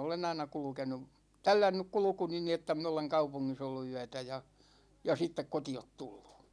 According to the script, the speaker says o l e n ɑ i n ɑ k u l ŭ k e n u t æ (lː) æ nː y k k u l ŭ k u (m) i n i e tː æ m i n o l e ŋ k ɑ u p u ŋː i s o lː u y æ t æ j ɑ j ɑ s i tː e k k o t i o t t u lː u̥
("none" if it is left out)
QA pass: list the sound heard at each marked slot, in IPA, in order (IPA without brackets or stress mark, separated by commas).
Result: lː, n